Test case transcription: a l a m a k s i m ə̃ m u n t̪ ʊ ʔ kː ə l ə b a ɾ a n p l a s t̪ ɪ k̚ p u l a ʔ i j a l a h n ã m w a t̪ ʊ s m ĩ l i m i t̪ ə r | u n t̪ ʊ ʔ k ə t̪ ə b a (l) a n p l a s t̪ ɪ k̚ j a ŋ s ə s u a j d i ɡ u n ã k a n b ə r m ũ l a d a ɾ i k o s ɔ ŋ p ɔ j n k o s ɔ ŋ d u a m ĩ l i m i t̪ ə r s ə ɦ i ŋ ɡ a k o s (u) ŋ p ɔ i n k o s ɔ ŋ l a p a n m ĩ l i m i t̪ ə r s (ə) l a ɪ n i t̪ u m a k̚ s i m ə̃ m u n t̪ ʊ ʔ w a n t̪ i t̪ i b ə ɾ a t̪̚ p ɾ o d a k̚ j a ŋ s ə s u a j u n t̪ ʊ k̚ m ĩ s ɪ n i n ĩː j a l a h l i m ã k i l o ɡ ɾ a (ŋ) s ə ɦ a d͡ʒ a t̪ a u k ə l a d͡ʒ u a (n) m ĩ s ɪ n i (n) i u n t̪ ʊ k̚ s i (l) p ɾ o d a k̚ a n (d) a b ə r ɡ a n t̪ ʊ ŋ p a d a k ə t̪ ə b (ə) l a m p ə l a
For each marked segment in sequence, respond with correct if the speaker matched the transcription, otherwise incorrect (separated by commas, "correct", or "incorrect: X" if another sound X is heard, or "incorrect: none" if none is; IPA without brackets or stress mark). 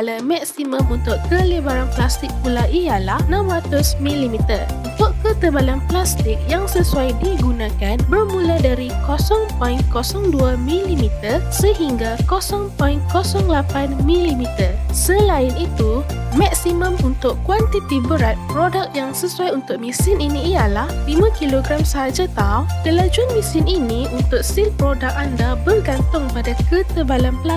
correct, incorrect: ɔ, correct, incorrect: m, correct, correct, correct, correct, incorrect: a